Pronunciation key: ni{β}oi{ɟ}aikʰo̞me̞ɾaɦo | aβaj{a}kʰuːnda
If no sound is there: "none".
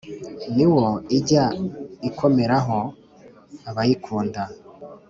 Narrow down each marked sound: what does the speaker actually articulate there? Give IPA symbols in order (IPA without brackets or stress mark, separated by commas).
w, ɟ, i